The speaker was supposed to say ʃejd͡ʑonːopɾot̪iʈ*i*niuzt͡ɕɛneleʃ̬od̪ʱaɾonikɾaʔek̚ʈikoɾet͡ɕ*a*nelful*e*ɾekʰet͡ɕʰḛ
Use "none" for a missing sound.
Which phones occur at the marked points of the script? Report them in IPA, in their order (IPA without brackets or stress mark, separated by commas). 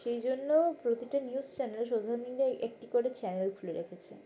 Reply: a, ɛ, e